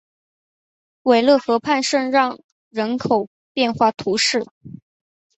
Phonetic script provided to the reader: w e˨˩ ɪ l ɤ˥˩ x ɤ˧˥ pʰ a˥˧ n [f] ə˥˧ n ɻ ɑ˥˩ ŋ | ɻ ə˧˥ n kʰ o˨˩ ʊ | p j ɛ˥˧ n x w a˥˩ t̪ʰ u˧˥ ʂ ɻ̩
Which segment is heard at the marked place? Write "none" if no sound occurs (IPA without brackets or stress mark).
ʂ